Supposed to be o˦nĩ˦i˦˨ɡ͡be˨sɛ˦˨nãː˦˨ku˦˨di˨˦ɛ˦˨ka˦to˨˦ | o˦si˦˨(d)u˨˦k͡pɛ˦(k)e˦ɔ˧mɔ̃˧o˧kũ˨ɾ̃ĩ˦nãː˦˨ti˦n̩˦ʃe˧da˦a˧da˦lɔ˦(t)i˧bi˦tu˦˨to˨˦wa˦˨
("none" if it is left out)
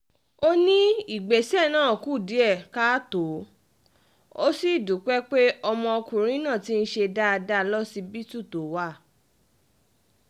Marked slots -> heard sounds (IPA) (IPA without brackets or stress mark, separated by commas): d, k͡p, s